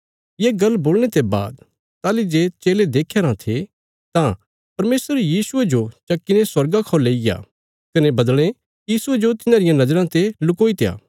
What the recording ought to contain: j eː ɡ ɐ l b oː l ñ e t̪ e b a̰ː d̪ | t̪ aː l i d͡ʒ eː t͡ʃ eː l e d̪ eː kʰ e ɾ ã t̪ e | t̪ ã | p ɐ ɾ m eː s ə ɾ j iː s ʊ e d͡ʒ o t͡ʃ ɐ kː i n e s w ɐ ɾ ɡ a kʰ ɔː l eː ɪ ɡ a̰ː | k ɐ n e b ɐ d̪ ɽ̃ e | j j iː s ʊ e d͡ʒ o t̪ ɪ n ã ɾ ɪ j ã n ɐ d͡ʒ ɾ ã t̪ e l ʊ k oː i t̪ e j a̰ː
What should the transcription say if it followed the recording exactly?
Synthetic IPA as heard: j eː ɡ ɐ l b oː l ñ e t̪ e b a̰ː d̪ | t̪ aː l i d͡ʒ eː t͡ʃ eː l e d̪ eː kʰ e ɾ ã t̪ʰ e | t̪ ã | p ɐ ɾ m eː s ə ɾ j iː s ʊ e d͡ʒ o t͡ʃ ɐ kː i n e s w ɐ ɾ ɡ a kʰ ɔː l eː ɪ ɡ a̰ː | k ɐ n e b ɐ d̪ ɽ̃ e | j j iː s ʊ e d͡ʒ o t̪ ɪ n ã ɾ ɪ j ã n ɐ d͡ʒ ɾ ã t̪ e l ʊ k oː i t̪ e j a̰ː